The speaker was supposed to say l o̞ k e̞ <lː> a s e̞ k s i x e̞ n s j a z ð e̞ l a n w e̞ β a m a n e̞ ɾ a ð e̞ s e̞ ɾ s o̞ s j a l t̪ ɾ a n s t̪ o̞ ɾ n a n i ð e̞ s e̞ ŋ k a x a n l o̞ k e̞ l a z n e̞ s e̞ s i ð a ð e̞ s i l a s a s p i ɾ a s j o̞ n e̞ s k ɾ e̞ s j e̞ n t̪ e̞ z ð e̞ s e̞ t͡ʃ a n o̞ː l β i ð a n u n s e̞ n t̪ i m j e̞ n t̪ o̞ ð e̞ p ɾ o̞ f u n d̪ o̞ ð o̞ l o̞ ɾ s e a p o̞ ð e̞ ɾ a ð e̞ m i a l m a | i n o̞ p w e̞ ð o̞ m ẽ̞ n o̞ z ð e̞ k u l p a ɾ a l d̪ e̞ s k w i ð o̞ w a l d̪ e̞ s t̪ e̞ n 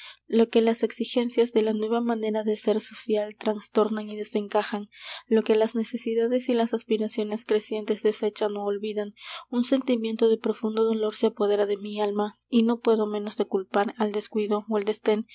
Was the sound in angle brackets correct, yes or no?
no